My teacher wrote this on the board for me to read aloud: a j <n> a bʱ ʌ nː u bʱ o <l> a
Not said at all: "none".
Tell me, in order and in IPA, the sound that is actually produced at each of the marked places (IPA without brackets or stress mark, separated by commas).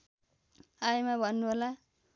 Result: m, l